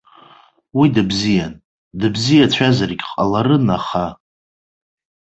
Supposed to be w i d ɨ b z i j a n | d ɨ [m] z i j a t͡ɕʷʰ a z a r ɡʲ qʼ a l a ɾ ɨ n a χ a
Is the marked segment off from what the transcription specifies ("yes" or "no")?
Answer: yes